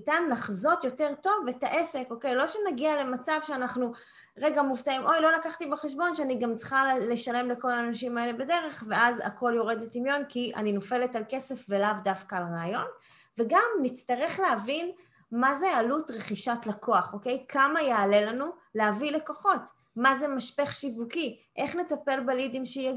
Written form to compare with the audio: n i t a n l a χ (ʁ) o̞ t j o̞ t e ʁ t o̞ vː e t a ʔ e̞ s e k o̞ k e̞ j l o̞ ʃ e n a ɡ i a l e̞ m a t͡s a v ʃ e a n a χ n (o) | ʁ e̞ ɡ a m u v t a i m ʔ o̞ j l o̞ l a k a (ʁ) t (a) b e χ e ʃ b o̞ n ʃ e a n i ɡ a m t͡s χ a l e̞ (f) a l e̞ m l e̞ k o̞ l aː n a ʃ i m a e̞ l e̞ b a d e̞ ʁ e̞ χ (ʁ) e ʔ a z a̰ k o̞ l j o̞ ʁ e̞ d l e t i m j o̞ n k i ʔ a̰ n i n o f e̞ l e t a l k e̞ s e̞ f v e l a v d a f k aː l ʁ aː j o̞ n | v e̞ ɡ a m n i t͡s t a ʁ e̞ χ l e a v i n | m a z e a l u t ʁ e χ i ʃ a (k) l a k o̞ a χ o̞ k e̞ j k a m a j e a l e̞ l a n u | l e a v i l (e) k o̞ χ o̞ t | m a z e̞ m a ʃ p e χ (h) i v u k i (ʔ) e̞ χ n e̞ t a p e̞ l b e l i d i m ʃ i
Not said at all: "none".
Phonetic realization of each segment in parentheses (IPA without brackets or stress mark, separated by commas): z, u, χ, i, ʃ, v, t, e, ʃ, ʔ